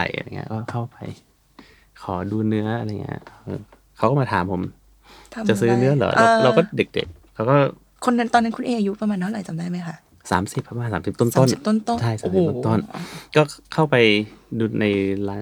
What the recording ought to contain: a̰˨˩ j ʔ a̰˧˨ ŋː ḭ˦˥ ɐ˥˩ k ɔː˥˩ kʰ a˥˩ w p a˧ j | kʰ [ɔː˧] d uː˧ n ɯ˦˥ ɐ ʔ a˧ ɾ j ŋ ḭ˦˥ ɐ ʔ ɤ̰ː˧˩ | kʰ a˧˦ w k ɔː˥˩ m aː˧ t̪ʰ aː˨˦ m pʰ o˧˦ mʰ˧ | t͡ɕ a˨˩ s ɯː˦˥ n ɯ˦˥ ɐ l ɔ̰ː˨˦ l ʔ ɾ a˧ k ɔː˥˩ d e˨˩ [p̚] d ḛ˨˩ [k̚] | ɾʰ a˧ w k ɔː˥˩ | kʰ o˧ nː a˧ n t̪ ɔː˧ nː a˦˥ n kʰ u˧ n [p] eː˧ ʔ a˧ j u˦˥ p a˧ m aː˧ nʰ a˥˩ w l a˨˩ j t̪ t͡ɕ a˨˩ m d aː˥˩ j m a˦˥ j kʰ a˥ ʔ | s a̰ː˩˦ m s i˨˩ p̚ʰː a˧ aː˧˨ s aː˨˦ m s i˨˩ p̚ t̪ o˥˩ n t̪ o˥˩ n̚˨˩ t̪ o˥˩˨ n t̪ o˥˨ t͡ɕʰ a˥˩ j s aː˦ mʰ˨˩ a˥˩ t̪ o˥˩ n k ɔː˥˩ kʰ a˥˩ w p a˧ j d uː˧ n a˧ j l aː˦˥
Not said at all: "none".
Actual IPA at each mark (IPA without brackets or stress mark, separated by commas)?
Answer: ɔː˩˦, k̚, k̚, ʔ